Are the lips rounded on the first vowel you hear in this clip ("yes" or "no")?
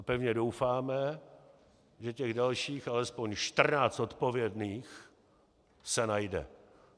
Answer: no